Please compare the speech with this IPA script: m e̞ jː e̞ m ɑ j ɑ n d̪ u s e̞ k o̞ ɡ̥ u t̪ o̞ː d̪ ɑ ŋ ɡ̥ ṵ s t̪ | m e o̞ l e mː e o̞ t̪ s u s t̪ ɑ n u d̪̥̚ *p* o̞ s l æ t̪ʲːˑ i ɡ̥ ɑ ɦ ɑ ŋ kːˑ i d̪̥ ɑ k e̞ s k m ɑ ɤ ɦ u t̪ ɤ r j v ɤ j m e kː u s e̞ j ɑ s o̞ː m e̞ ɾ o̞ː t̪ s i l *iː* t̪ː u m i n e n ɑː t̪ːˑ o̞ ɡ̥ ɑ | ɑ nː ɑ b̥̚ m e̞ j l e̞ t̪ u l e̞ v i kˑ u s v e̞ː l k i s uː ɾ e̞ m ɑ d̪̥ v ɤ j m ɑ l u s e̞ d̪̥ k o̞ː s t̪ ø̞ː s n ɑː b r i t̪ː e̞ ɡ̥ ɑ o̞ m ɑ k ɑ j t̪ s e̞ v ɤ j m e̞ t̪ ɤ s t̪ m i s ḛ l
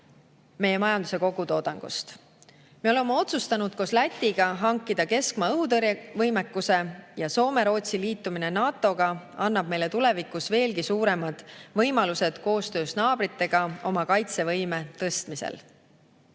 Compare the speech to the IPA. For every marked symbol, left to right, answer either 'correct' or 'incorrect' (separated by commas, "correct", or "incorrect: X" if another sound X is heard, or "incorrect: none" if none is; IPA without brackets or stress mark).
incorrect: k, correct